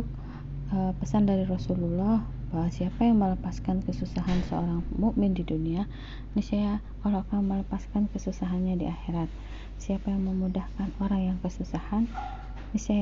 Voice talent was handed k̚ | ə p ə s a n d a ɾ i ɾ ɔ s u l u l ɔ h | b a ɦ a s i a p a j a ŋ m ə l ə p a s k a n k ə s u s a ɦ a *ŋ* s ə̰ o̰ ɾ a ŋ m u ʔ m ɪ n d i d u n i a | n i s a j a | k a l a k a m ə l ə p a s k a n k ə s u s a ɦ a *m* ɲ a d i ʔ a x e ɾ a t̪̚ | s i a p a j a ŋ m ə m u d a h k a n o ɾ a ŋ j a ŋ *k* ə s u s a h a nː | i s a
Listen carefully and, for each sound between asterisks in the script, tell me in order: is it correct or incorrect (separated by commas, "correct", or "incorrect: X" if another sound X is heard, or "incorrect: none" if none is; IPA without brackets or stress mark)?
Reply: incorrect: n, incorrect: n, correct